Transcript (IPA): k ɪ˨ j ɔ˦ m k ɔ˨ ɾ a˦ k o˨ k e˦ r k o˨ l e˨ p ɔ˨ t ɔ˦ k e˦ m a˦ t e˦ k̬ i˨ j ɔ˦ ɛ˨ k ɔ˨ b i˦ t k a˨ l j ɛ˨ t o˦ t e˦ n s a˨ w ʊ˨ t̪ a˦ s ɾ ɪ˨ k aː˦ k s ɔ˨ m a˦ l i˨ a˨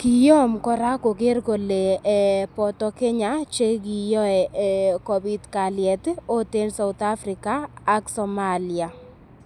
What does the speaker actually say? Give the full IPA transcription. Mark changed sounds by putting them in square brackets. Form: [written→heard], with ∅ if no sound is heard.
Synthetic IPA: k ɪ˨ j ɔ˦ m k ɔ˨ ɾ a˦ k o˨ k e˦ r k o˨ l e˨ p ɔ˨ t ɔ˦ k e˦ [m→ɲ] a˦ [t→t͡ʃ] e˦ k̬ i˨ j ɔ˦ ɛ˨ k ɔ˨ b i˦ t k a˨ l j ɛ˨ t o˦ t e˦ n s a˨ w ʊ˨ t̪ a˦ [s→f] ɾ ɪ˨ k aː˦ k s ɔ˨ m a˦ l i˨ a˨

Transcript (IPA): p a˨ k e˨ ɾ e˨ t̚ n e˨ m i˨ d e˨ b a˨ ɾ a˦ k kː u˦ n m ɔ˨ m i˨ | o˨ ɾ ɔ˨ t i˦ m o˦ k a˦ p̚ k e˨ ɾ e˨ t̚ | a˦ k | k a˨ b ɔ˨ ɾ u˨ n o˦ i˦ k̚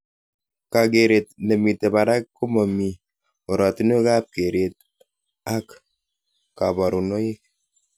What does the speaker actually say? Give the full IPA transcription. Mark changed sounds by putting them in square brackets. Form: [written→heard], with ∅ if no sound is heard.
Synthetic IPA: [p→k] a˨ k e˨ ɾ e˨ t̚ n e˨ m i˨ [d→t] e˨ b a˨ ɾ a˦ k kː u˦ [n→∅] m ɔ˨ m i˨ | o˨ ɾ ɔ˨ t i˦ [m→n] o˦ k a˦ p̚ k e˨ ɾ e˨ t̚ | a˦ k | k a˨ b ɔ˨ ɾ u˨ n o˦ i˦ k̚

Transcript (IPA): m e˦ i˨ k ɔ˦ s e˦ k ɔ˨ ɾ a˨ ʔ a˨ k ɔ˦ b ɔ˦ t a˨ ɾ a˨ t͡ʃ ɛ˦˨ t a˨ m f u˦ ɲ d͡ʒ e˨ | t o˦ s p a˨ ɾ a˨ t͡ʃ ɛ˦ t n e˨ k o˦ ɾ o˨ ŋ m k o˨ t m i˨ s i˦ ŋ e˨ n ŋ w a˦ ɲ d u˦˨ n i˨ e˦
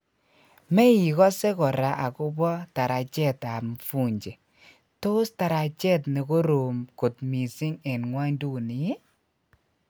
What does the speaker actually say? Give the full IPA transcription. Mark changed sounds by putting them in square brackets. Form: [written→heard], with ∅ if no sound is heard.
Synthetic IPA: m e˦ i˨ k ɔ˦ s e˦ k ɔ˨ ɾ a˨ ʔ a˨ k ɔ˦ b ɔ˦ t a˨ ɾ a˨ t͡ʃ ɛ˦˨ t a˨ m f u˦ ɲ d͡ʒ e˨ | t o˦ s [p→t] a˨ ɾ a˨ t͡ʃ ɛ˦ t n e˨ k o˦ ɾ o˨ [ŋ→∅] m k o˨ t m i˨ s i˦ ŋ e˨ n ŋ w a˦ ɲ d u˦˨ n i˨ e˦

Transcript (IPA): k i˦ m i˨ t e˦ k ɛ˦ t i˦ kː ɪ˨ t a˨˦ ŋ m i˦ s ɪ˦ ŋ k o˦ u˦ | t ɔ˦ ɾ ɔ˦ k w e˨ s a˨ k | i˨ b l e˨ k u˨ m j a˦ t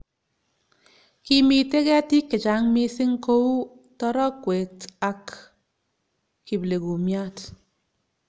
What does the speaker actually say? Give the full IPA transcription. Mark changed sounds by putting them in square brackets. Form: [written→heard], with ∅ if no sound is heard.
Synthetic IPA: k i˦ m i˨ t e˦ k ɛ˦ t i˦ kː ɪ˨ [t→t͡ʃ] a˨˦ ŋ m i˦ s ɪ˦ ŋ k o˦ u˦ | t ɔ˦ ɾ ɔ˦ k w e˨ [s→t] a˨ k | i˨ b l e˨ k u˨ m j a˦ t

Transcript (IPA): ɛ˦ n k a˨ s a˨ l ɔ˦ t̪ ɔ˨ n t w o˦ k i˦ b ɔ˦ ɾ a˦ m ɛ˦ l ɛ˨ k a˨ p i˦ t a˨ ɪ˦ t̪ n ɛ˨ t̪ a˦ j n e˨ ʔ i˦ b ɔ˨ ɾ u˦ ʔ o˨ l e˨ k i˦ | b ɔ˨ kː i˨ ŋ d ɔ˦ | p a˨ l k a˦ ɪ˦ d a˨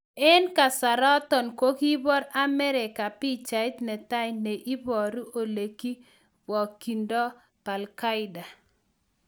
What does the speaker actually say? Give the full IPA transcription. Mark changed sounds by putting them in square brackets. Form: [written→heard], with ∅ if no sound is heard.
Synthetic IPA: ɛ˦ n k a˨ s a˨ [l→ɾ] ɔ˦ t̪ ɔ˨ n [t→k] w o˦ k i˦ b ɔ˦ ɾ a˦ m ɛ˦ [l→ɾ] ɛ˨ k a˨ p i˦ [t→t͡ʃ] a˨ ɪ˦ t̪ n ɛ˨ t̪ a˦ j n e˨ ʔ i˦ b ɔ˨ ɾ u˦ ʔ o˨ l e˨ k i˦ | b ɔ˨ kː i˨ [ŋ→n] d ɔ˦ | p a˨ l k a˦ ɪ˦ d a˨

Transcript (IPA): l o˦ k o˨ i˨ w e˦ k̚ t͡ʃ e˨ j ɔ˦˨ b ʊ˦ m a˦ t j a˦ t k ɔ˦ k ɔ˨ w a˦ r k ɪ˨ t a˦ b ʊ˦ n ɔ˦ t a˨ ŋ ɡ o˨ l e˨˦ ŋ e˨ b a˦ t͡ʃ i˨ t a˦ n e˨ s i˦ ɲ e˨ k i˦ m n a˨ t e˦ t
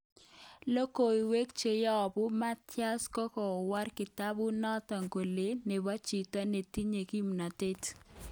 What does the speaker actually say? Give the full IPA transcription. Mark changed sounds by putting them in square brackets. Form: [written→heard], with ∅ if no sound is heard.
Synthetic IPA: l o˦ k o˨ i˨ w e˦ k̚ t͡ʃ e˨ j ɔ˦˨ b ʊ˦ m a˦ t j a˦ [t→s] k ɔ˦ k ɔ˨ w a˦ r k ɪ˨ t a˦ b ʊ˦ n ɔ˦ t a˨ ŋ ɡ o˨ l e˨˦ [ŋ→n] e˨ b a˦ t͡ʃ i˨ t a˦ n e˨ [s→t] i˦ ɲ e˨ k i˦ m n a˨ t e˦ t

